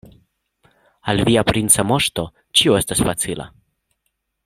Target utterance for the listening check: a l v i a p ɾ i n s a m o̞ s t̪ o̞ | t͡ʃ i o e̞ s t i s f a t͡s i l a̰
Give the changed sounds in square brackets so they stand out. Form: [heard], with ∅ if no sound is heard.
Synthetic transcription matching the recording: a l v i a p ɾ i n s a m o̞ [ʃ] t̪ o̞ | t͡ʃ i o e̞ s t [a] s f a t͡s i l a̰

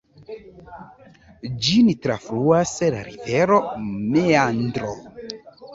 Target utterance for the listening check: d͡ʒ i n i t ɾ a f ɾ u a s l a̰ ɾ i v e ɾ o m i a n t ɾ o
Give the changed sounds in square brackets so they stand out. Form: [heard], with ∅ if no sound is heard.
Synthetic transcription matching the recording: d͡ʒ i n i t ɾ a f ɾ u a s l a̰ ɾ i v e ɾ o m [e] a n [d] ɾ o

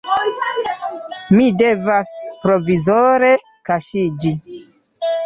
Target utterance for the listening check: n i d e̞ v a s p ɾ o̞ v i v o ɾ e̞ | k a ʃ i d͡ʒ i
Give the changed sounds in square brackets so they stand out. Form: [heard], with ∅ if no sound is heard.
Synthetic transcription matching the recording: [m] i d e̞ v a s p ɾ o̞ v i [z] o ɾ e̞ | k a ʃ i d͡ʒ i

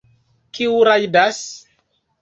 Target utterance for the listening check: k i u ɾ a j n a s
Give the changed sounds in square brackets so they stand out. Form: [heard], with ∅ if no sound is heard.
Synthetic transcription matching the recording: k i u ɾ a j [d] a s

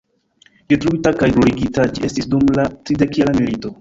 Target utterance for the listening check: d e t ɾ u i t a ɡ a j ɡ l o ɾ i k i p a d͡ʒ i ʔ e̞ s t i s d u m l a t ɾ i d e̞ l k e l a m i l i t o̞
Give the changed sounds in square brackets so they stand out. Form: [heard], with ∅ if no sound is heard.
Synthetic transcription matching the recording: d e t ɾ u i t a [k] a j ɡ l o ɾ i [ɡ] i [t] a d͡ʒ i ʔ e̞ s t i s d u m l a t ɾ i d e̞ [∅] k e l a m i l i t o̞

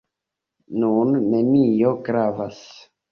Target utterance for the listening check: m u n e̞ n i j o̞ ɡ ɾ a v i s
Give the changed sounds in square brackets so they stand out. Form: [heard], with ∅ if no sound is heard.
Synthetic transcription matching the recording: [n] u [nː] e̞ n i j o̞ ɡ ɾ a v [a] s

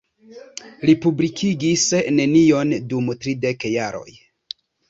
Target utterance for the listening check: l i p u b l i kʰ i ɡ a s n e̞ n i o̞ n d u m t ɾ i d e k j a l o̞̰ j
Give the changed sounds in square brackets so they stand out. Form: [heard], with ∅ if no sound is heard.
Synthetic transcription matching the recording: l i p u b l i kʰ i ɡ [i] s n e̞ n i o̞ n d u m t ɾ i d e k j a [ɾ] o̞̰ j

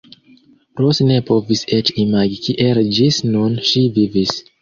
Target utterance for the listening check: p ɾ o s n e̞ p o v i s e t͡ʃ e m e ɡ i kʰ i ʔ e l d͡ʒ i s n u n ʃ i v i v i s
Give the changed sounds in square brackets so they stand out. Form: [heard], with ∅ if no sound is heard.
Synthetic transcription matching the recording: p ɾ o s n e̞ p o v i s e t͡ʃ [i] m [a] ɡ i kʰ i ʔ e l d͡ʒ i s n u n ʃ i v i v i s

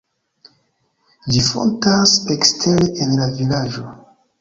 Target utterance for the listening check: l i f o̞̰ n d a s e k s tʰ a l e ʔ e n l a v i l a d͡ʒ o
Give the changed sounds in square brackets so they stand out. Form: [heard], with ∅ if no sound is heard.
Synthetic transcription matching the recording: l i f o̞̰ n [t] a s e k s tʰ [e] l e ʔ e n l a v i l a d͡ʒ o

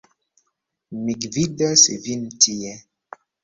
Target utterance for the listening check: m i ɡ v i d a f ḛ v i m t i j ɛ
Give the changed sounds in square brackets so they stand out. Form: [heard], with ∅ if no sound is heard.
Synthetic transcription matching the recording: m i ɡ v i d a [s] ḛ v i [n] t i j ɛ

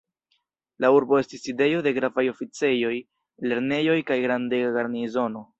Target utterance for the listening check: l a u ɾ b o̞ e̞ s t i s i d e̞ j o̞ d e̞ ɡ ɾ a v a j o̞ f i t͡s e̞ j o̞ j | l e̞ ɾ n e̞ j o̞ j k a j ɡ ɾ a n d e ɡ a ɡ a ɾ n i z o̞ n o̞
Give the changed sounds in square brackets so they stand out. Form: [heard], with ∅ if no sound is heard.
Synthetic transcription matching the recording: l a u ɾ b o̞ e̞ s t i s i d e̞ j o̞ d e̞ ɡ ɾ a v a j o̞ f i t͡s e̞ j o̞ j | l e̞ ɾ n e̞ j o̞ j k a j ɡ ɾ a n d e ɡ a ɡ a ɾ n i z o̞ n o̞

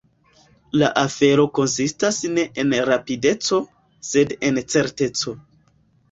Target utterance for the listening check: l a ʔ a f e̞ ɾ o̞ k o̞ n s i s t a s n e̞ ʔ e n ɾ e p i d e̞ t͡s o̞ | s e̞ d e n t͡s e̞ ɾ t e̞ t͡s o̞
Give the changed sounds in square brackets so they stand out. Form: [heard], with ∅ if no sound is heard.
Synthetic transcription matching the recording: l a ʔ a f e̞ ɾ o̞ k o̞ n s i s t a s n e̞ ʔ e n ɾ [a] p i d e̞ t͡s o̞ | s e̞ d e n t͡s e̞ ɾ t e̞ t͡s o̞

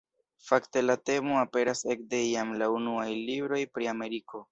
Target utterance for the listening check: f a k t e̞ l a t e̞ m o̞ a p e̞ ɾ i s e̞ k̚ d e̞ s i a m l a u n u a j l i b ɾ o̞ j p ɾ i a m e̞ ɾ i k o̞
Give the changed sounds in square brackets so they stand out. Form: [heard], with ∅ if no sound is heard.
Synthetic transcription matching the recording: f a k t e̞ l a t e̞ m o̞ a p e̞ ɾ [a] s e̞ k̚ d e̞ [∅] i a m l a u n u a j l i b ɾ o̞ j p ɾ i a m e̞ ɾ i k o̞

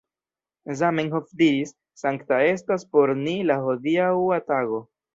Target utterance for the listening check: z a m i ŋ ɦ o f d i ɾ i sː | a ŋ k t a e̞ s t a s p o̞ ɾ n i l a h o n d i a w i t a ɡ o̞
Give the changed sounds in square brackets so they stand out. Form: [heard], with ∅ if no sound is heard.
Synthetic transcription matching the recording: z a m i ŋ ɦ o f d i ɾ i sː | a ŋ k t a e̞ s t a s p o̞ ɾ n i l a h o [∅] d i a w [a] t a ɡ o̞

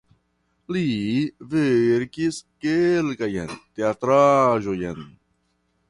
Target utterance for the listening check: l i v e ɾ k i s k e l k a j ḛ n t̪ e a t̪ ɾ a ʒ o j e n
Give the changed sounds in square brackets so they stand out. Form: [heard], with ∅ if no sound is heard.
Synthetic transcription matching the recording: l i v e ɾ k i s k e l k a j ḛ n t̪ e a t̪ ɾ a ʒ o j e n

